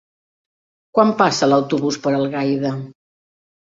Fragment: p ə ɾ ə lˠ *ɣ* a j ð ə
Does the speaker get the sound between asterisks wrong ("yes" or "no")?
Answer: no